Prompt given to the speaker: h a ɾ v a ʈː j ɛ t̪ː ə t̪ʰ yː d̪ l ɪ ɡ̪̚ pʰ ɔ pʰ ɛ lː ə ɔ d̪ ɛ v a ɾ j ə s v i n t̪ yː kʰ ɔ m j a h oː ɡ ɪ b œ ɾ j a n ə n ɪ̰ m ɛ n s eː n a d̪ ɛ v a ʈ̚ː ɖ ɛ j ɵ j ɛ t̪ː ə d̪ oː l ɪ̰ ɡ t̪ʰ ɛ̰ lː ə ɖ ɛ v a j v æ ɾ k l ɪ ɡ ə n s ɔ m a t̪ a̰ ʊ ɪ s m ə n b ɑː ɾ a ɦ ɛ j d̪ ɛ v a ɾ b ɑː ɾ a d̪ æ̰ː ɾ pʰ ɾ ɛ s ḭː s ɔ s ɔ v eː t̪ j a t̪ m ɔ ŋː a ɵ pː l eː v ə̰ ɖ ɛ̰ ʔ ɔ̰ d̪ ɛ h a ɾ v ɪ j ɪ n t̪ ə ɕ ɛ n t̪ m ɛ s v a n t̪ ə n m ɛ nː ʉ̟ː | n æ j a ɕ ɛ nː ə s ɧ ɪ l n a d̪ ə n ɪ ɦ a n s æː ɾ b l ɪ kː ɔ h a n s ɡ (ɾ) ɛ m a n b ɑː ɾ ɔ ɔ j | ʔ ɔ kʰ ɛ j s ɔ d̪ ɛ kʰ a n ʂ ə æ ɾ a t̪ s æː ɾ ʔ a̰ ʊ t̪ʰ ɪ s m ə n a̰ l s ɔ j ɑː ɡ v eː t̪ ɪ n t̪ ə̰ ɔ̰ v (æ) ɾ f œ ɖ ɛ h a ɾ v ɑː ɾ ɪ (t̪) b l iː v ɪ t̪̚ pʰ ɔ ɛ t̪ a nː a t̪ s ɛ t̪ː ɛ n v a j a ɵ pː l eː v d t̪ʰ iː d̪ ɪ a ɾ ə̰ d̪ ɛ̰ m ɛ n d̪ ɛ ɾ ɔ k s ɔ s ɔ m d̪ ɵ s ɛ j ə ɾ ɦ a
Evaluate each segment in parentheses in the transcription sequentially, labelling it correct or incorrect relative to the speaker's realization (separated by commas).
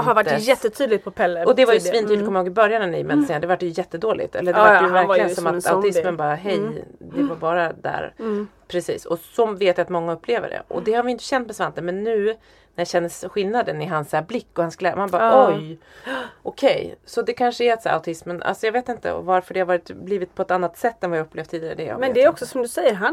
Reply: incorrect, incorrect, correct